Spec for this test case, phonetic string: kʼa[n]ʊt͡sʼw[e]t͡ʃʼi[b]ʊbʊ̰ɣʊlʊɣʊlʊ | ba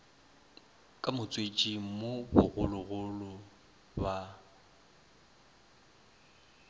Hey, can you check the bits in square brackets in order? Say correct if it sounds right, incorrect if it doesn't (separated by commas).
incorrect, correct, incorrect